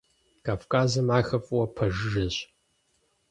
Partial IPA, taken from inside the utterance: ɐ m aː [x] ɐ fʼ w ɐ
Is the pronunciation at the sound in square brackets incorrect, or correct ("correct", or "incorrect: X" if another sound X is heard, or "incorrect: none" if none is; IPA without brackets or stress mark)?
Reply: correct